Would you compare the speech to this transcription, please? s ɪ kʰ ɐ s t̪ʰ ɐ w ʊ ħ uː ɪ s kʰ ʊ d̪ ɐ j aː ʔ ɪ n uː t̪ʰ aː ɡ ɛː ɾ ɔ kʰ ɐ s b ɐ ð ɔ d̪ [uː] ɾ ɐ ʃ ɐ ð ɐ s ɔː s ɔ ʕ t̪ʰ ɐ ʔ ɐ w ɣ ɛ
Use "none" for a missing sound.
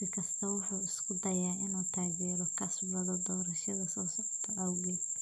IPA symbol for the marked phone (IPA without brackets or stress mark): ɔː